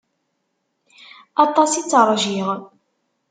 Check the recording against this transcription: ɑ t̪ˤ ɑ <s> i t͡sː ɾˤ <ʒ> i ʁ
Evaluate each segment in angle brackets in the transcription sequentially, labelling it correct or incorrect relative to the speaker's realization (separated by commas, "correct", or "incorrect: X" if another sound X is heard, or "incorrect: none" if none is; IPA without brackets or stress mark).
correct, correct